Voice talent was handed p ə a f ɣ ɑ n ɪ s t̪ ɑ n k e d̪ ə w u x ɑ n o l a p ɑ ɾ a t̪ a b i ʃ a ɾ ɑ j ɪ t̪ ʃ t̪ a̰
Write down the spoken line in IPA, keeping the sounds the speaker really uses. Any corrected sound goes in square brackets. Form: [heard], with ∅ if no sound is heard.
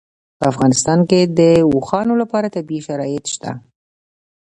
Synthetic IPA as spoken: p ə a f ɣ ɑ n ɪ s t̪ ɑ n k e d̪ ə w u x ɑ n o l a p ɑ ɾ a t̪ a b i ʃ a ɾ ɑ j ɪ t̪ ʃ t̪ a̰